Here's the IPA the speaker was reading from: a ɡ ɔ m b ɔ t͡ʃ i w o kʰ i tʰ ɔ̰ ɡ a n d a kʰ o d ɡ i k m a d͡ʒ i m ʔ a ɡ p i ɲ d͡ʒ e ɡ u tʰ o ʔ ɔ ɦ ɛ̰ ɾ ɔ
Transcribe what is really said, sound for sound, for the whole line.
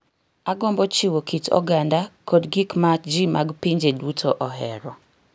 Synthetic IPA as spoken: a ɡ ɔ m b ɔ t͡ʃ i w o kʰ i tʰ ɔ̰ ɡ a n d a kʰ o d ɡ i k m a d͡ʒ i m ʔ a ɡ p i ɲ d͡ʒ e d u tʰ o ʔ ɔ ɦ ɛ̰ ɾ ɔ